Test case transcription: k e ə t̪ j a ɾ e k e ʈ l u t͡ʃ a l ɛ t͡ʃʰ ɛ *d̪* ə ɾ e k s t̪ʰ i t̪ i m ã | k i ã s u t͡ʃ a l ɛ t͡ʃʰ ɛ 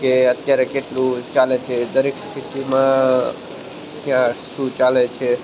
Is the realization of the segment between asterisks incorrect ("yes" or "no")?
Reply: no